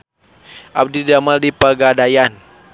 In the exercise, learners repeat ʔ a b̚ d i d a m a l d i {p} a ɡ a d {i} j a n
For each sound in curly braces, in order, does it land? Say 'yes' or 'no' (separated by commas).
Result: yes, no